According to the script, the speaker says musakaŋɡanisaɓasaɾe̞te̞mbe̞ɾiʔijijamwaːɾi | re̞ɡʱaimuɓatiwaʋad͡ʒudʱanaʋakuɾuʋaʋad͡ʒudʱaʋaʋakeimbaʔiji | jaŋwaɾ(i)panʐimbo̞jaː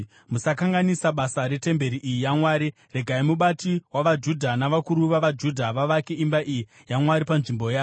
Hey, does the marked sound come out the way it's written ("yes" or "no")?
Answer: yes